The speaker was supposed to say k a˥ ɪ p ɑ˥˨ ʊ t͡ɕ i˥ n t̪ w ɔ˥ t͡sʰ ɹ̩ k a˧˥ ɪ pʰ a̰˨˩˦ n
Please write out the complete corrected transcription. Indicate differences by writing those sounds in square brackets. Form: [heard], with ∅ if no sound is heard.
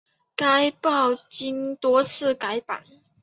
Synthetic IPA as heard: k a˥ ɪ p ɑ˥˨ ʊ t͡ɕ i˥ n t̪ w ɔ˥ t͡sʰ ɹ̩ k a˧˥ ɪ [p] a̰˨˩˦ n